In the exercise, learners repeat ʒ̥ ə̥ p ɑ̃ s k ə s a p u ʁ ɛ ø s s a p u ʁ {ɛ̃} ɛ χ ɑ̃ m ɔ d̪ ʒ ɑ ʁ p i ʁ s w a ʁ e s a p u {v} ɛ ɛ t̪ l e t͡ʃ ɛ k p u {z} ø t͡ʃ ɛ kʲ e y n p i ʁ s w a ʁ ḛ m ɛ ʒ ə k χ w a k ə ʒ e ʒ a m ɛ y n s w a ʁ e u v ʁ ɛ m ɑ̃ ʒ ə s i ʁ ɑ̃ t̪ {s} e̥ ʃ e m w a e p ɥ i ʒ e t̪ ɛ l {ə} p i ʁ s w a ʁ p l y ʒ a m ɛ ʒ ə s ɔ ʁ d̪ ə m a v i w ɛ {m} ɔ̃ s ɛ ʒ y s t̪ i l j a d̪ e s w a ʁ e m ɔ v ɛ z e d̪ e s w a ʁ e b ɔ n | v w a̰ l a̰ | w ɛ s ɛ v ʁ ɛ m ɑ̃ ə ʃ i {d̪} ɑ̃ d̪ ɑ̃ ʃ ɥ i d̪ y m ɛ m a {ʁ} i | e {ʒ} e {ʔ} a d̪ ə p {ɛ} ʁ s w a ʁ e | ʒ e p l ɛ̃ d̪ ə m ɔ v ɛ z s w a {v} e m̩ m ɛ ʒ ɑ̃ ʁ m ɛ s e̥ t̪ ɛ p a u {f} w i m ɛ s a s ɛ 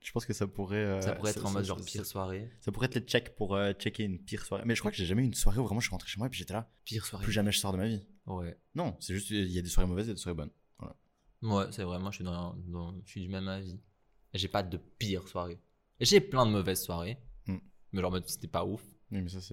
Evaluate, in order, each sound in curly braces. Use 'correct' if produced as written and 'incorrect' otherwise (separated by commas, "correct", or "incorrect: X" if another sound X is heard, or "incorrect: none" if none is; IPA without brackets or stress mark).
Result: incorrect: ɛ, incorrect: ʁ, incorrect: ʁ, incorrect: χ, incorrect: a, incorrect: n, correct, incorrect: v, correct, incorrect: p, incorrect: i, incorrect: ʁ, correct